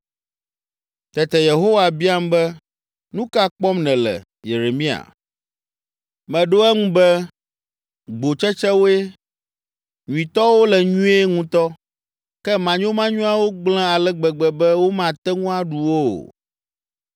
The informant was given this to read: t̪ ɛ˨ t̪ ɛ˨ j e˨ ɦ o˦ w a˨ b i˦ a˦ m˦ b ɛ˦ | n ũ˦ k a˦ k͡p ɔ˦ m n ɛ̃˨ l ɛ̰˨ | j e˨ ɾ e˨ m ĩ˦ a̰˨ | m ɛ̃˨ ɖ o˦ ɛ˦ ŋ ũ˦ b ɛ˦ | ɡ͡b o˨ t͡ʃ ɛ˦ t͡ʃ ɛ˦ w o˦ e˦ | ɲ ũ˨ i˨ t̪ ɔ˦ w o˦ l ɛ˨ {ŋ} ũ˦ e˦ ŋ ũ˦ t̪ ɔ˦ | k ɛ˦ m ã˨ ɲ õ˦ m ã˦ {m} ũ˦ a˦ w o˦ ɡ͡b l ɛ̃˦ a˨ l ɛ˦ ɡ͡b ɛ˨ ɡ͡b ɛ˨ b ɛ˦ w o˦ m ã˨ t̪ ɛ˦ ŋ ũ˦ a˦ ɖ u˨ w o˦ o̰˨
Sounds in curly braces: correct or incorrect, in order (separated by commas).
incorrect, incorrect